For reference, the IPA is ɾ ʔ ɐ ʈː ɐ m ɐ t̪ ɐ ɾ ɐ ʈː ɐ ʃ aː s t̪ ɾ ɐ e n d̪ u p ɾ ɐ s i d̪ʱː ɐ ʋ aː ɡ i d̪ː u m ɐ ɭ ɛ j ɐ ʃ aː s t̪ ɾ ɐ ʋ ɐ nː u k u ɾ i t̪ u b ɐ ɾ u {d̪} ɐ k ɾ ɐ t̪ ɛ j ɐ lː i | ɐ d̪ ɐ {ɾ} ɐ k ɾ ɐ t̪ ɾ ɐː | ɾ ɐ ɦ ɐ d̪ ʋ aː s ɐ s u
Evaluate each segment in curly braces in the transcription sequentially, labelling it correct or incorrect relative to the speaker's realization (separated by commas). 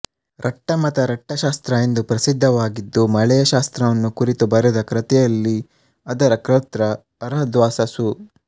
correct, correct